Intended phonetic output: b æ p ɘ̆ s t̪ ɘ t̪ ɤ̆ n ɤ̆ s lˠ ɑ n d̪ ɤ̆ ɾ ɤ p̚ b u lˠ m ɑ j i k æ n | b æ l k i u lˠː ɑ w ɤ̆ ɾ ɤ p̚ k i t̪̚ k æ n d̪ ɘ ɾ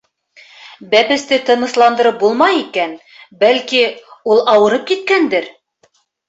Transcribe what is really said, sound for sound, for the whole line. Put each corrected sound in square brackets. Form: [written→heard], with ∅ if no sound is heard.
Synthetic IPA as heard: b æ p ɘ̆ s t̪ ɘ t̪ ɤ̆ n ɤ̆ s lˠ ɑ n d̪ ɤ̆ ɾ ɤ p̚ b u lˠ m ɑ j i k æ n | b æ l k i u [lˠː→lˠ] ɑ w ɤ̆ ɾ ɤ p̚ k i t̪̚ k æ n d̪ ɘ ɾ